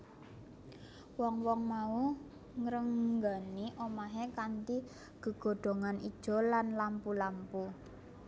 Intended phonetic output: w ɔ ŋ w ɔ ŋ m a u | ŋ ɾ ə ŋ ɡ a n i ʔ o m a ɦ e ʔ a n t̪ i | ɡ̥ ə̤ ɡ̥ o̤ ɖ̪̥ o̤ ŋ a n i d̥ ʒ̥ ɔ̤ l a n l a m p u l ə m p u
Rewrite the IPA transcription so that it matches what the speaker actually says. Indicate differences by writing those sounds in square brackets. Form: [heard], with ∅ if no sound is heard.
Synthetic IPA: w ɔ ŋ w ɔ ŋ m a u | ŋ ɾ ə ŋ ɡ a n i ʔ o m a ɦ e [k] a n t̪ i | ɡ̥ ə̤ ɡ̥ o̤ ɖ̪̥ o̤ ŋ a n i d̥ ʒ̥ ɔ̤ l a n l a m p u l [a] m p u

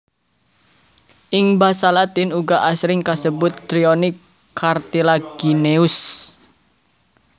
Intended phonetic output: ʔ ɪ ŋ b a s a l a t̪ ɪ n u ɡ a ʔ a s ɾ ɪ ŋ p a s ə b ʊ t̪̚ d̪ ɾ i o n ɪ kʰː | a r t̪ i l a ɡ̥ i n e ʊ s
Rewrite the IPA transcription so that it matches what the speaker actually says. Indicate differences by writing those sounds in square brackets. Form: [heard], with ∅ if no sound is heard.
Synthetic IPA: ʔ ɪ ŋ b a s a l a t̪ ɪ n u ɡ a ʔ a s ɾ ɪ ŋ [k] a s ə b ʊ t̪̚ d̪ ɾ i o n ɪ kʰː | a r t̪ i l a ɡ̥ i n e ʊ s

